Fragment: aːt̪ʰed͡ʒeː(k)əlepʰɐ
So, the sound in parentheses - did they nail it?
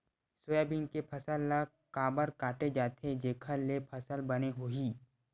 no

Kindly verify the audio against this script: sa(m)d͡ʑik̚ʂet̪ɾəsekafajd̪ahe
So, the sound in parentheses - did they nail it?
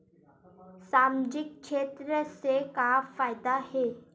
yes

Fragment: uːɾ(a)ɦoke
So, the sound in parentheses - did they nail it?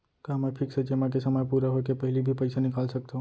yes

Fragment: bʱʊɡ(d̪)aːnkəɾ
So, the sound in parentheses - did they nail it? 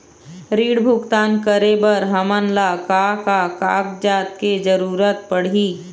no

